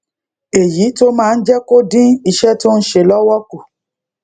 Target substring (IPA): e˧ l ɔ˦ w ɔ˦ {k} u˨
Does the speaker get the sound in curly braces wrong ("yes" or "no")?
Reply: no